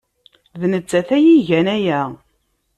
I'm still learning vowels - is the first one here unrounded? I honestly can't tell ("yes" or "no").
yes